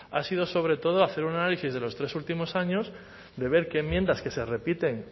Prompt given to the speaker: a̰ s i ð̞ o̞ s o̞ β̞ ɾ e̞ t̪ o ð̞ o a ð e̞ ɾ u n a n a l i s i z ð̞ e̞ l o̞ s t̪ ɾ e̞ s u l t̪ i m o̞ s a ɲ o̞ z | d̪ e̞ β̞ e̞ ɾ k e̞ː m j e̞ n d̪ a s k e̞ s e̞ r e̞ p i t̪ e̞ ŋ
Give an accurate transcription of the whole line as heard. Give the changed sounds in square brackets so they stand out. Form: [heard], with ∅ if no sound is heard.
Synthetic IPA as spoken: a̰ s i ð̞ o̞ s o̞ β̞ ɾ e̞ t̪ o ð̞ o a [θ] e̞ ɾ u n a n a l i s i z ð̞ e̞ l o̞ s t̪ ɾ e̞ s u l t̪ i m o̞ s a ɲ o̞ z | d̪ e̞ β̞ e̞ ɾ k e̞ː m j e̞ n d̪ a s k e̞ s e̞ r e̞ p i t̪ e̞ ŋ